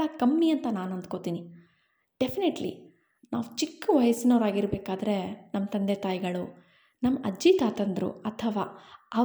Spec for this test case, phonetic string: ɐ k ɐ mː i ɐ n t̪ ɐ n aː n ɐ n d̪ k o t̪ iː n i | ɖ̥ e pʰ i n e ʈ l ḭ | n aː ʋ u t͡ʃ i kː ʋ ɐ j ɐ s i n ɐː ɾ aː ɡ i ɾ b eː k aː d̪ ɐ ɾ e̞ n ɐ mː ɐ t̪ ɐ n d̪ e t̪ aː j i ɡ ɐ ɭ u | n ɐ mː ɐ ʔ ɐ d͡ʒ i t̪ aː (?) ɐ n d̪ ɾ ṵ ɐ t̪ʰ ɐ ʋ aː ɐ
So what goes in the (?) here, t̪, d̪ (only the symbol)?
t̪